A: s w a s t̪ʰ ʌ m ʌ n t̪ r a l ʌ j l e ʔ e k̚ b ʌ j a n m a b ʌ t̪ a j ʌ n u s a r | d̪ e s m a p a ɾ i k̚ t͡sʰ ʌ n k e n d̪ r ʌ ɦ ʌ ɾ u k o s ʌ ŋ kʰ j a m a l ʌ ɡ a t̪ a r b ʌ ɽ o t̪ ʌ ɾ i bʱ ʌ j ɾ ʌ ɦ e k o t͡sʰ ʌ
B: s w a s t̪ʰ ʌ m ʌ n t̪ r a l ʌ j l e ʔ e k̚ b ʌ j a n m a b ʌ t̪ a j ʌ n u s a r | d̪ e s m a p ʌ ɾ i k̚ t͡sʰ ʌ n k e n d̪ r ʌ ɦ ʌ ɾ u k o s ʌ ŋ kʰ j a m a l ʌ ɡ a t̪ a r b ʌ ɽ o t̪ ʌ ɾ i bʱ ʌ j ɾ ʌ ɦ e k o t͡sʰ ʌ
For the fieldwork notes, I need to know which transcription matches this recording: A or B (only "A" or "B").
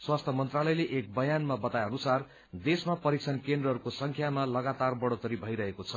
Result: B